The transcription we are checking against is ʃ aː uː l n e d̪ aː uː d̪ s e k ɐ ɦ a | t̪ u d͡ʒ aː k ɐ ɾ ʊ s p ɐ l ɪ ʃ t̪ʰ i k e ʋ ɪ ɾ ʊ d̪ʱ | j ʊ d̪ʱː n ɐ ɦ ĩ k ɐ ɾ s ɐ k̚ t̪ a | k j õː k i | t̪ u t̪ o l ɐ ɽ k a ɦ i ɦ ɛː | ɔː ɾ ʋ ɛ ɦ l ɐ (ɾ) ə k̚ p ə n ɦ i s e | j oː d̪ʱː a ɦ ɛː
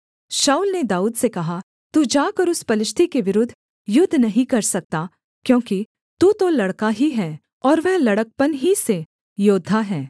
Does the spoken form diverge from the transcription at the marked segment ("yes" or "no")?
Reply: yes